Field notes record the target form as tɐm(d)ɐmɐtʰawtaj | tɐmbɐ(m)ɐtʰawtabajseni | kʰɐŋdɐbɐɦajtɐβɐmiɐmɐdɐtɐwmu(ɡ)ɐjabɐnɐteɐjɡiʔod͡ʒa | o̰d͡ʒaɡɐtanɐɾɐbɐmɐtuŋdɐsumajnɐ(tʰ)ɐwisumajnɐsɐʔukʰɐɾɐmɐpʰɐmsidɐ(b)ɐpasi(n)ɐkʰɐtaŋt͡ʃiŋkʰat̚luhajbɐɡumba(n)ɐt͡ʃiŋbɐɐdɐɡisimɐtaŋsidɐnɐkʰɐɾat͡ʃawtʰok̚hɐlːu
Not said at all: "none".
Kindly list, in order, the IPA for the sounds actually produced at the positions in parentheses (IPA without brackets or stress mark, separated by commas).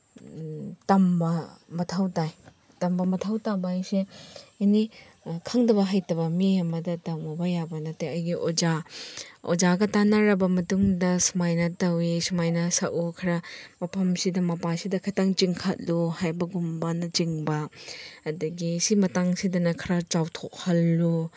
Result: b, m, b, t, m, d, n